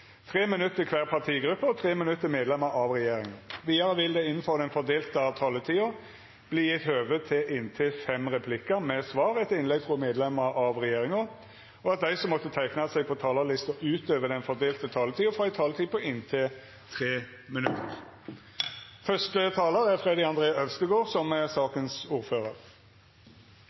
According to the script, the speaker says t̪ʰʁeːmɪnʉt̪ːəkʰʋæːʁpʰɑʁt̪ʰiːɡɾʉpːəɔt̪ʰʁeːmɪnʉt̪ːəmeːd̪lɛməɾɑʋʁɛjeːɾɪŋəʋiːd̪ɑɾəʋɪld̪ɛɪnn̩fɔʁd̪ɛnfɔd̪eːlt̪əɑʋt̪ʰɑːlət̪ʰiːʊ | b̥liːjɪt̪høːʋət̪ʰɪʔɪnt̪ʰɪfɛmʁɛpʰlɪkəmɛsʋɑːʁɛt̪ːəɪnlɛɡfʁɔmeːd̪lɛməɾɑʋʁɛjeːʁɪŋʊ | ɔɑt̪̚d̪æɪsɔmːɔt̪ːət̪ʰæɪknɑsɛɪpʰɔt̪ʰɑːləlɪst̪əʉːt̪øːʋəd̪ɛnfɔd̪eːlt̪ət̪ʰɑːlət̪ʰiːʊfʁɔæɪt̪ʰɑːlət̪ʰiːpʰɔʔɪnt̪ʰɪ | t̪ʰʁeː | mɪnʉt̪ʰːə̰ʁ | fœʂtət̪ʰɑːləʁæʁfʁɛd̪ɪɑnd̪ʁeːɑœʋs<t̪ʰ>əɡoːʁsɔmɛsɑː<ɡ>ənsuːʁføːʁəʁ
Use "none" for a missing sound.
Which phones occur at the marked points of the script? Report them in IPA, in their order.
t̪, k

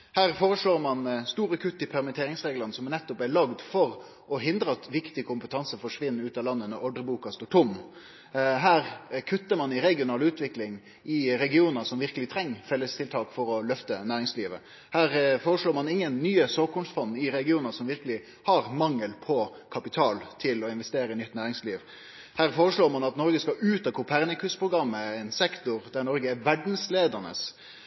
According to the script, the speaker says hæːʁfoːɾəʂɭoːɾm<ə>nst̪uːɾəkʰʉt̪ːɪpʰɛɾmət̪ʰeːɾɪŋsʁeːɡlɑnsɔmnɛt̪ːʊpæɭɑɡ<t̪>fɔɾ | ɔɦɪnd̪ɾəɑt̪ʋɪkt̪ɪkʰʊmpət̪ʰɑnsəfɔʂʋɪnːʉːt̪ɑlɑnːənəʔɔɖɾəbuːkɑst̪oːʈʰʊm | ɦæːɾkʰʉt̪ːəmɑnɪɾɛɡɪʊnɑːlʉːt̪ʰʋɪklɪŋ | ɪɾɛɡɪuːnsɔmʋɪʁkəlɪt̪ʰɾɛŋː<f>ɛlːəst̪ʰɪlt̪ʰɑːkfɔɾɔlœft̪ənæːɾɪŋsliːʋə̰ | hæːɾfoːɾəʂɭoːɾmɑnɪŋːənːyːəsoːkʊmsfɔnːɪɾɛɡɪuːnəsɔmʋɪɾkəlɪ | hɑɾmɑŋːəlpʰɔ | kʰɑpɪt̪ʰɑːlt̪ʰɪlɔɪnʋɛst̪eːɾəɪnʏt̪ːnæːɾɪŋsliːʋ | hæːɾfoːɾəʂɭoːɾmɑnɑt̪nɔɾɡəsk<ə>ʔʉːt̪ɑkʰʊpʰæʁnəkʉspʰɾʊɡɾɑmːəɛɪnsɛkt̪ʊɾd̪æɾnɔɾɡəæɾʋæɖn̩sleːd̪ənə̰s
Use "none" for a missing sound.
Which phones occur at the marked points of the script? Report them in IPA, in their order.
ɑ, d̪, f, ɑ

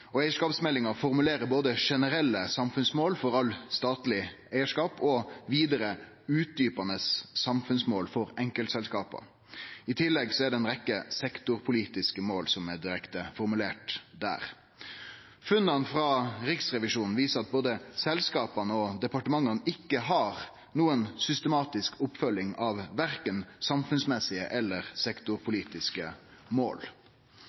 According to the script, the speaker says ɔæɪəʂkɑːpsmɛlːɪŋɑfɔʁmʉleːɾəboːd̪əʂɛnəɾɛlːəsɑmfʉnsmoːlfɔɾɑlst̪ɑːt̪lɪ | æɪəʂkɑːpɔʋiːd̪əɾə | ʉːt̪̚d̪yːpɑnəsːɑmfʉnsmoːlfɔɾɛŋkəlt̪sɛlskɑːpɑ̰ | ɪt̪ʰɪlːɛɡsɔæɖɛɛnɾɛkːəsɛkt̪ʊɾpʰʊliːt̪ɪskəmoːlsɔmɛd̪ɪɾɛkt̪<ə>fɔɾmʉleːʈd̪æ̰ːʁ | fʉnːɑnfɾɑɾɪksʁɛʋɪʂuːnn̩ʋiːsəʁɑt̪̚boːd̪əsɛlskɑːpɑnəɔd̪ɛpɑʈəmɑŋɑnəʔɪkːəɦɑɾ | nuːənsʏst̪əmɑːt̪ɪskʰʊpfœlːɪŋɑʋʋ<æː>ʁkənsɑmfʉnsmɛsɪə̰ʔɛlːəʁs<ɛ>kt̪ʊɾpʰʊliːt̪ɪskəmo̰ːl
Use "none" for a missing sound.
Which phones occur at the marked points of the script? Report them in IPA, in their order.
ə, æ, ɛ

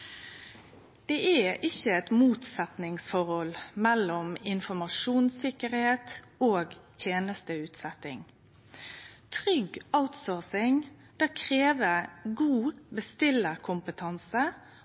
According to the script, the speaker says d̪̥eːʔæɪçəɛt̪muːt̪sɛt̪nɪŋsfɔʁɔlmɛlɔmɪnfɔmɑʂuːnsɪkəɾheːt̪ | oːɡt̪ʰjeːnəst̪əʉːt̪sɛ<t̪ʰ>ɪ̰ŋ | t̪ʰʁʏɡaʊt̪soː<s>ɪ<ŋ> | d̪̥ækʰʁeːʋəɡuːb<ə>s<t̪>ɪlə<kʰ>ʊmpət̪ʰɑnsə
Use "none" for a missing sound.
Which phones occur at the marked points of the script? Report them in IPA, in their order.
t̪, s, ŋ, ə, t̪, kʰ

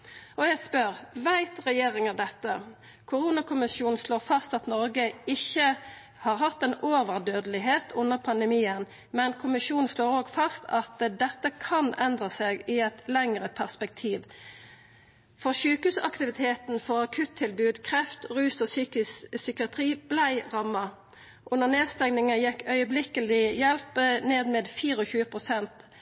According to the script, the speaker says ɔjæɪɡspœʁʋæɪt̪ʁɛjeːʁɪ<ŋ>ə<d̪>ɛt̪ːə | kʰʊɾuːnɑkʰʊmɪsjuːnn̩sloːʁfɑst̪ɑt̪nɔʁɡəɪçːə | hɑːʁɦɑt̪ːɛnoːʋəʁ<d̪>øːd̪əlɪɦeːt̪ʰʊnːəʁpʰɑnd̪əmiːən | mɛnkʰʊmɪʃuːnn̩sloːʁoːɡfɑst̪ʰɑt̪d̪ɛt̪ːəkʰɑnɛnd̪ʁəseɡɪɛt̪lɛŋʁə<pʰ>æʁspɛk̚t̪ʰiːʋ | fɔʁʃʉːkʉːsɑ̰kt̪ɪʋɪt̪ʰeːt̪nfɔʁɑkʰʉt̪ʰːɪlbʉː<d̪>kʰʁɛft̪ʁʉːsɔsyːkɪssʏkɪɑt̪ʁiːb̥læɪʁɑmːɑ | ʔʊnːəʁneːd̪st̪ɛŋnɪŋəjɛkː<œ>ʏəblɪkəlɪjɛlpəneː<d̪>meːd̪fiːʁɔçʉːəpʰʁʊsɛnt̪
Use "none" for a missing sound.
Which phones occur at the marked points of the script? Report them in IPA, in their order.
ŋ, d̪, d̪, pʰ, d̪, œ, d̪

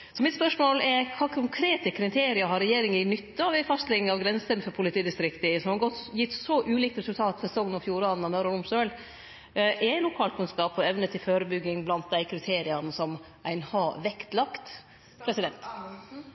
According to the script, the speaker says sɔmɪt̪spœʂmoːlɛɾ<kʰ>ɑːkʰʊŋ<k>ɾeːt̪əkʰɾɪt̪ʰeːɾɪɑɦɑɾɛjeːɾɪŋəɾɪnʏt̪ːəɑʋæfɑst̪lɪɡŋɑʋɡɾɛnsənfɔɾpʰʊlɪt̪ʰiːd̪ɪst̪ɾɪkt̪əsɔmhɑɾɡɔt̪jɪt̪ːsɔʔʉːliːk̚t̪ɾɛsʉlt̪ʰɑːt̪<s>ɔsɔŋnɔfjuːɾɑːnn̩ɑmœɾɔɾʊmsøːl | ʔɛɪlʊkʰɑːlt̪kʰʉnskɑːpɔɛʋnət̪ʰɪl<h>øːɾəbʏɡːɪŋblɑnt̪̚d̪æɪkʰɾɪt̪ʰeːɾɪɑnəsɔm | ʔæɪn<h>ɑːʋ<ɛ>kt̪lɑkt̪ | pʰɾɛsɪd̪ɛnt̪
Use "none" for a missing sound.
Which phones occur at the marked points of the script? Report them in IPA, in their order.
kʰ, kʰ, f, f, h, ɛ

